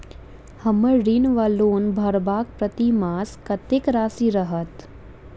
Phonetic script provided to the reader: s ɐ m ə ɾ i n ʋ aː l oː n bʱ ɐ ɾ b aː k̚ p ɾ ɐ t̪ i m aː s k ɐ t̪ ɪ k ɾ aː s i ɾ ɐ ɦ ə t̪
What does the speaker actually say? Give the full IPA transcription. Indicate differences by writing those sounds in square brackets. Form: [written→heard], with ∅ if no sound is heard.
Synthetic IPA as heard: [s→h] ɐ m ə ɾ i n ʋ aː l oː n bʱ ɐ ɾ b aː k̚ p ɾ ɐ t̪ i m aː s k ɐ t̪ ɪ k ɾ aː s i ɾ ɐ ɦ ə t̪